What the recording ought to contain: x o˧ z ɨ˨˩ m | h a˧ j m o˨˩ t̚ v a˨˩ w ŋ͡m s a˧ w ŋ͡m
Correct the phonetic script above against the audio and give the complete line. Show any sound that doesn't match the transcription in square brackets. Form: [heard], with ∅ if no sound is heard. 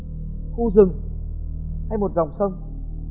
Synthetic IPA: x [u˧] z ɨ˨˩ [ŋ] | h a˧ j m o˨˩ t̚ [z] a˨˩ w ŋ͡m s [ə˧] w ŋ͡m

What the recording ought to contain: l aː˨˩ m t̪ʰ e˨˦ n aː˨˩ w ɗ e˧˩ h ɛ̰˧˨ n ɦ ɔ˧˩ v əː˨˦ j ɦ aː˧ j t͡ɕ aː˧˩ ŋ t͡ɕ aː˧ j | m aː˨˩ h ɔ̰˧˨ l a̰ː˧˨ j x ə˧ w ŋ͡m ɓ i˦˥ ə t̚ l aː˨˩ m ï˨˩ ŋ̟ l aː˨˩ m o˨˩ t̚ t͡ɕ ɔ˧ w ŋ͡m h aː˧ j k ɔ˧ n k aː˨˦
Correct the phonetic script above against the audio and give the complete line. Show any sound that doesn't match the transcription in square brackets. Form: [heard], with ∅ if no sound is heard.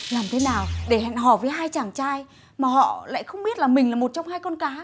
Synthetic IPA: l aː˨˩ m t̪ʰ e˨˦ n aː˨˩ w ɗ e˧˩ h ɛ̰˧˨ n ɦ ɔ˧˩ v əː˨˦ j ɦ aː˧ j t͡ɕ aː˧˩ ŋ t͡ɕ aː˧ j | m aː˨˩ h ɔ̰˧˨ l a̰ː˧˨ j x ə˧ w ŋ͡m ɓ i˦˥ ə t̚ l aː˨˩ m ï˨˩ ŋ̟ l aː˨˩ m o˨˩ t̚ t͡ɕ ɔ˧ w ŋ͡m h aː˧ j k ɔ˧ n k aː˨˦

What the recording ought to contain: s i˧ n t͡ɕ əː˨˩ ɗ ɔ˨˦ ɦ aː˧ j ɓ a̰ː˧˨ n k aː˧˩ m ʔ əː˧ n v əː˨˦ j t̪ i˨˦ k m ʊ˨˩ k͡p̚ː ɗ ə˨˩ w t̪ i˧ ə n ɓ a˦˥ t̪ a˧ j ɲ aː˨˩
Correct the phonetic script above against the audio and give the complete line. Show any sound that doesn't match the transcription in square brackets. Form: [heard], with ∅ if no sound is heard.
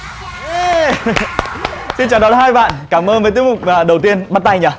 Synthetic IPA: s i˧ n t͡ɕ [aː˨˩] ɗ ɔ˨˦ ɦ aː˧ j ɓ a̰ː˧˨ n k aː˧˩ m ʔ əː˧ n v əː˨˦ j t̪ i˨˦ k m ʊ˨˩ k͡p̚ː ɗ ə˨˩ w t̪ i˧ ə n ɓ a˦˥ t̪ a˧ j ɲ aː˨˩

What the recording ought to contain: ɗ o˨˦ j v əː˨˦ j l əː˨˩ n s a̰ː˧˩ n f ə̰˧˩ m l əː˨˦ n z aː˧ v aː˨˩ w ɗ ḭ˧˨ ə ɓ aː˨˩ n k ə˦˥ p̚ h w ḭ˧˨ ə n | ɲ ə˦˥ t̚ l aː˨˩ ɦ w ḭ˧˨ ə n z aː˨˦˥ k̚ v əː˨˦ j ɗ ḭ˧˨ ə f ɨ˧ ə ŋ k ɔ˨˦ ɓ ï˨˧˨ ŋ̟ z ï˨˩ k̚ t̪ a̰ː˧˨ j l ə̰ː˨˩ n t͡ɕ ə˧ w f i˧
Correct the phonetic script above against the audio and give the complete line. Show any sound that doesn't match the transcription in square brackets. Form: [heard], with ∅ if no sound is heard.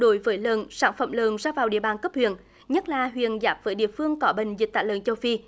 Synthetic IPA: ɗ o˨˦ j v əː˨˦ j l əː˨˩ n s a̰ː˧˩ n f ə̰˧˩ m l [əː˨˩] n z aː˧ v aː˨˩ w ɗ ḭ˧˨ ə ɓ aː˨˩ n k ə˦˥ p̚ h w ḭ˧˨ ə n | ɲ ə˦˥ t̚ l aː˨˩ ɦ w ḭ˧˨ ə n z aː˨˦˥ [p̚] v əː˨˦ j ɗ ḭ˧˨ ə f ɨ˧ ə ŋ k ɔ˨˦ ɓ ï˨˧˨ ŋ̟ z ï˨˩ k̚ t̪ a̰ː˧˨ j l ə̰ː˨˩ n t͡ɕ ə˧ w f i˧

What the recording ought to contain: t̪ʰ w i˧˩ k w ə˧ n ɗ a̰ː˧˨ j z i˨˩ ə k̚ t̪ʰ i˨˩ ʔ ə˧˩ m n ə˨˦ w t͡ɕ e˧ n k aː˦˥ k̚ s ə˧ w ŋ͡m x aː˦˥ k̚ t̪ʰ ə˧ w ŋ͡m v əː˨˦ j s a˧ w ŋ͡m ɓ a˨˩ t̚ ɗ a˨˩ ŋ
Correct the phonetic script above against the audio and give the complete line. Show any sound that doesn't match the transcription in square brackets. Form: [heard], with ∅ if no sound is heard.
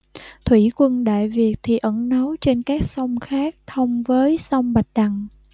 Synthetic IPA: t̪ʰ w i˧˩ k w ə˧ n ɗ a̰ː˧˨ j [v] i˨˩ ə k̚ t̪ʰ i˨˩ ʔ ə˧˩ [n] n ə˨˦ w t͡ɕ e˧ n k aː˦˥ k̚ s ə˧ w ŋ͡m x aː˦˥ k̚ t̪ʰ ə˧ w ŋ͡m v əː˨˦ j s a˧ w ŋ͡m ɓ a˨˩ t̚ ɗ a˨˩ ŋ

